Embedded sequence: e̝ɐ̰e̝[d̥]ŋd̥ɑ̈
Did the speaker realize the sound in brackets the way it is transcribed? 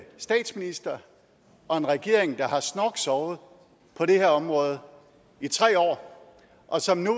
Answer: no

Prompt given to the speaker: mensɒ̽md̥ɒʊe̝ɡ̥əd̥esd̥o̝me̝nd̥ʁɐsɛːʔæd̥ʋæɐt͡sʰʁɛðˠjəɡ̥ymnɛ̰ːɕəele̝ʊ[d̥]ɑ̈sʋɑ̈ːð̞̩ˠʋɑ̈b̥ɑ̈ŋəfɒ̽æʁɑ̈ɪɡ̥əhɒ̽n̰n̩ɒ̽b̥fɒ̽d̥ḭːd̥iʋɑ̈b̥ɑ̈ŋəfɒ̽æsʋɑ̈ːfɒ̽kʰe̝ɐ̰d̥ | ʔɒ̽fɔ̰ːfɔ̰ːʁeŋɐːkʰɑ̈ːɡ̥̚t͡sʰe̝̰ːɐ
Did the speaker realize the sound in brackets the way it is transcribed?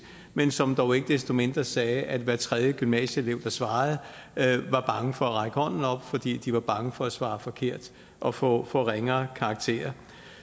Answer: yes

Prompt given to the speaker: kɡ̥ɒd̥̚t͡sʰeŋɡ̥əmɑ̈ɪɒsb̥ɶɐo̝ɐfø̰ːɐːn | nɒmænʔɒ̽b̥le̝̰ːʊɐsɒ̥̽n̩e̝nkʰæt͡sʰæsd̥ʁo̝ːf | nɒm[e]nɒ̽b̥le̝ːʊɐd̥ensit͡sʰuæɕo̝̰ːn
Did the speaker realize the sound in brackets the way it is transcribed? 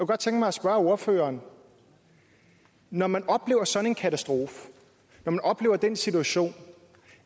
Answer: no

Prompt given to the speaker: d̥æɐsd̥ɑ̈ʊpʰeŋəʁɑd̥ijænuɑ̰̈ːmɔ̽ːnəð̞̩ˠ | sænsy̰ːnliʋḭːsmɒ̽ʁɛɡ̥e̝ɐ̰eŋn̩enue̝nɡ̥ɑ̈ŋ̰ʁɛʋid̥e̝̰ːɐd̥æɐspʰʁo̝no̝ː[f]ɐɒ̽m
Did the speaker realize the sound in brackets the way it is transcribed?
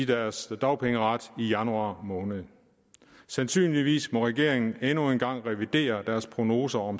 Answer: no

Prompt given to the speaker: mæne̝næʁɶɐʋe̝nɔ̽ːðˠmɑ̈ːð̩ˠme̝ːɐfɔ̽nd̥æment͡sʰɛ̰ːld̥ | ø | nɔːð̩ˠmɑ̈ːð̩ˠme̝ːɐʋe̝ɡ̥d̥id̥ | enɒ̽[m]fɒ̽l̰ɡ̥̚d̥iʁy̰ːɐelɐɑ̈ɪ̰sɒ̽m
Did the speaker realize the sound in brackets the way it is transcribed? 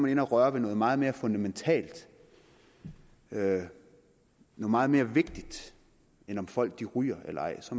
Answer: yes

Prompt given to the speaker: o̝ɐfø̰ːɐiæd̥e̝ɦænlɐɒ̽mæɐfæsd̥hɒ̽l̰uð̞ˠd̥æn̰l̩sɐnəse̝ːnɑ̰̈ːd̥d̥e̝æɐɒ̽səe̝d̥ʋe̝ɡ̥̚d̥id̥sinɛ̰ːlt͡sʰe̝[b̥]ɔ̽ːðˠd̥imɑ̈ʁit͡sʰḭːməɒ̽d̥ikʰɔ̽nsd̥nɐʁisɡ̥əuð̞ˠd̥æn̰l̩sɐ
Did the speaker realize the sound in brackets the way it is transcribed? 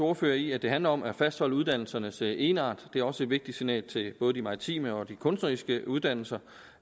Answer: yes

